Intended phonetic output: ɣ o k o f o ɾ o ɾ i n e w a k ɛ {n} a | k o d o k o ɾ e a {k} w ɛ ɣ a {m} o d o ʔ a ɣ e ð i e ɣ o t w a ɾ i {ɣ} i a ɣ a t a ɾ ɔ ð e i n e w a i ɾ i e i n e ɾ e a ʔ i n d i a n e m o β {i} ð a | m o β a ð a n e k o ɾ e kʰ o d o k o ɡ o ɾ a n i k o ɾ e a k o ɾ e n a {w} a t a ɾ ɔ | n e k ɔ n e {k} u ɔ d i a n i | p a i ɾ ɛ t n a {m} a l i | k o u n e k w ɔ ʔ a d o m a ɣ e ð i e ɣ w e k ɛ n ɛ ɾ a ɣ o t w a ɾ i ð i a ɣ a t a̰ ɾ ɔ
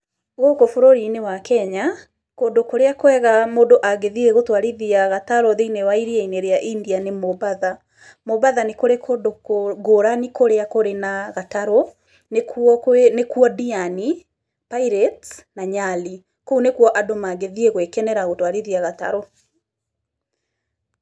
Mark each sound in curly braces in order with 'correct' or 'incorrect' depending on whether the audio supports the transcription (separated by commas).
incorrect, correct, correct, incorrect, incorrect, incorrect, correct, incorrect